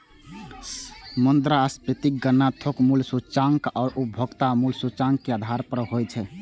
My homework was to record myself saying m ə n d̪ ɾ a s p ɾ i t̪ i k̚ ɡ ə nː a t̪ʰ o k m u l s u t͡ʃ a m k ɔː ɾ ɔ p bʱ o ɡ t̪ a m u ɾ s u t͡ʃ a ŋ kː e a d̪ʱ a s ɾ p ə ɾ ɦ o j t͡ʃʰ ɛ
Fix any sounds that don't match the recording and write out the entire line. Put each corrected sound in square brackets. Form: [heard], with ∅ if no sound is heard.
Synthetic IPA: m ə n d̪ ɾ a s p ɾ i t̪ i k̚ ɡ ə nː a t̪ʰ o k m u l s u t͡ʃ a [ŋ] k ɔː ɾ [u] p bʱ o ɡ t̪ a m u [l] s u t͡ʃ a ŋ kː e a d̪ʱ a [∅] ɾ p ə ɾ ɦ o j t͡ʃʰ ɛ